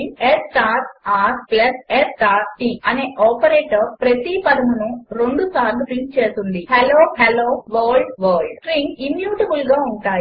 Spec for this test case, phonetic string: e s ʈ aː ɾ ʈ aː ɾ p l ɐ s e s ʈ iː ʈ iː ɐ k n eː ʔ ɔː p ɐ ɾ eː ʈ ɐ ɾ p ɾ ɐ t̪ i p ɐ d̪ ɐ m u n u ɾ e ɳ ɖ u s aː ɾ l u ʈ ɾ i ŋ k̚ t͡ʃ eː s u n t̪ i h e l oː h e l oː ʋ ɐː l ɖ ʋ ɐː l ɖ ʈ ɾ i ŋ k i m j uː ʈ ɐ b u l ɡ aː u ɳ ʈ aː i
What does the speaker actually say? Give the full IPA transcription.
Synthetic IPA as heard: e s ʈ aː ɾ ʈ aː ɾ p l ɐ s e s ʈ aː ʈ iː ɐ n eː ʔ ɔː p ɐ ɾ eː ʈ ɐ ɾ p ɾ ɐ t̪ i p ɐ d̪ ɐ m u n u ɾ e ɳ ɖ u s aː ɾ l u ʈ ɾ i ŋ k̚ t͡ʃ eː s u n d̪ i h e l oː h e l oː ʋ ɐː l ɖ ʋ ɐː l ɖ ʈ ɾ i ŋ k i m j uː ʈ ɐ b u l ɡ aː u ɳ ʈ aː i